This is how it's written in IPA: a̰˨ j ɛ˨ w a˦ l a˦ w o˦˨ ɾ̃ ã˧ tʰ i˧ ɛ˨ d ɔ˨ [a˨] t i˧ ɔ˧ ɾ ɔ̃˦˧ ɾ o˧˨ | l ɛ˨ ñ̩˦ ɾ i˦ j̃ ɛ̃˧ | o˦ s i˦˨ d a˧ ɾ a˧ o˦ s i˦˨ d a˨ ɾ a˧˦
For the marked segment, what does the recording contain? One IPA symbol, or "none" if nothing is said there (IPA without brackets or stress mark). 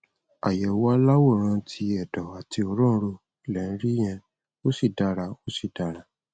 a˨